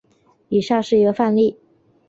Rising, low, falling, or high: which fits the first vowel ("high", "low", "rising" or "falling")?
low